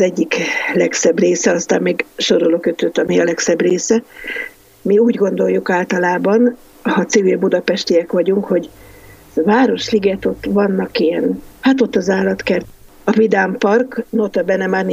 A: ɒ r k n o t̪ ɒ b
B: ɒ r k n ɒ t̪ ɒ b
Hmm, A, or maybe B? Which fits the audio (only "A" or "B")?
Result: A